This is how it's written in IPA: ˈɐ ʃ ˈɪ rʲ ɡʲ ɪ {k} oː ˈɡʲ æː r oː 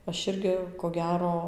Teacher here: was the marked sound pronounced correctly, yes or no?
yes